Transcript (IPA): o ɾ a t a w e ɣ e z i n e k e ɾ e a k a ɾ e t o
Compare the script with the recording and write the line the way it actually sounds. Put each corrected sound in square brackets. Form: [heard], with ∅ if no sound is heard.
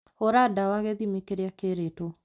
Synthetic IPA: o ɾ a [d] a w [a] ɣ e [ð] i [m] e k e ɾ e a k [e] ɾ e t o